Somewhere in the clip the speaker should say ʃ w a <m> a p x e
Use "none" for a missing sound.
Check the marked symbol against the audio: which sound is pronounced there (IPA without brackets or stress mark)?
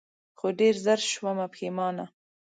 m